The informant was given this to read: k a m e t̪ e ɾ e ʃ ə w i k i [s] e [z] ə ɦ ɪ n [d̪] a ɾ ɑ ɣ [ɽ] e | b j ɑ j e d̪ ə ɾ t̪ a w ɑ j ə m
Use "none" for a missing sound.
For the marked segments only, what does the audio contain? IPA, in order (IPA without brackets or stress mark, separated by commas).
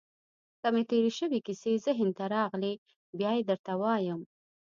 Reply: s, z, t̪, l